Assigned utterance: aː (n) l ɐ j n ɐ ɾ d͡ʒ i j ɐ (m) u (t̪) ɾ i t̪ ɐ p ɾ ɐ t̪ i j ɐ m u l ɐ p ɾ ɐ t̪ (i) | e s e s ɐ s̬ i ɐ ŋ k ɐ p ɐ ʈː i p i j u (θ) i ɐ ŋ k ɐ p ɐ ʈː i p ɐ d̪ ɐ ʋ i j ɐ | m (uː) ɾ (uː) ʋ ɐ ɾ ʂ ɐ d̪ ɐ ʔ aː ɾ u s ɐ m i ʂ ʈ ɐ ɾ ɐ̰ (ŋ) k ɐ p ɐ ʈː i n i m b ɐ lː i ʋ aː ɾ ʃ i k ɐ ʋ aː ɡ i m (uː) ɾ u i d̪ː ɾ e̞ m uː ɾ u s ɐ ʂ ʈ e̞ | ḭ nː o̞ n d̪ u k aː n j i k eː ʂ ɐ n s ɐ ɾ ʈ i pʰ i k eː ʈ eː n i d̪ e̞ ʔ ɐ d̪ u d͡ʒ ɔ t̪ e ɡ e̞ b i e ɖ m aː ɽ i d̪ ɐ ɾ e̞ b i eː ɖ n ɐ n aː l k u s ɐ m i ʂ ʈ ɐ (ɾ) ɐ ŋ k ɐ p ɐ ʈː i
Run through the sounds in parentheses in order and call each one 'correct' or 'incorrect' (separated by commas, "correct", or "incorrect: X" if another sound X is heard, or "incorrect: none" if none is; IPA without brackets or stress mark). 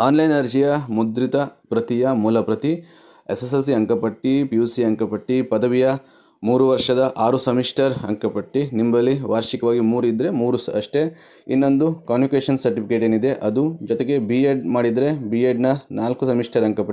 correct, correct, incorrect: d̪, correct, incorrect: s, correct, incorrect: u, correct, correct, correct